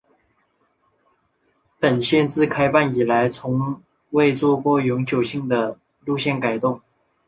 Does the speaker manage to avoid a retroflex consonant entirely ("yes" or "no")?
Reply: yes